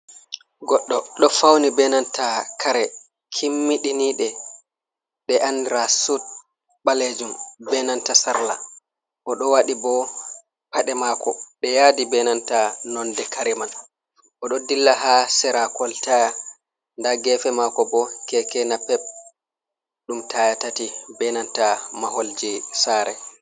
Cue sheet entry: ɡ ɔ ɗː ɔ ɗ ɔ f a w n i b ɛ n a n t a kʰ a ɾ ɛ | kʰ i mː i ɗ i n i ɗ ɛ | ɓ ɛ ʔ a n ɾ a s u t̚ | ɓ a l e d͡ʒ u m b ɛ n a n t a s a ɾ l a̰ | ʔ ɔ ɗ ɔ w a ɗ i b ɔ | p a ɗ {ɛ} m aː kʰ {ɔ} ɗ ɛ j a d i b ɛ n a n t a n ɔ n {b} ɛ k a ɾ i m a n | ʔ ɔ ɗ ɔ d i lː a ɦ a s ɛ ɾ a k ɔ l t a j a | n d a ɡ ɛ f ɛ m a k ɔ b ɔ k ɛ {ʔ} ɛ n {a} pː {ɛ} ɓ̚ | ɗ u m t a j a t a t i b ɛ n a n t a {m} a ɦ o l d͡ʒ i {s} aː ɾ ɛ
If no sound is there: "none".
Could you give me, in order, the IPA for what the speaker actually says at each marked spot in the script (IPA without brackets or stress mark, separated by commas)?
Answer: ɛ, ɔ, d, k, a, ɛ, m, s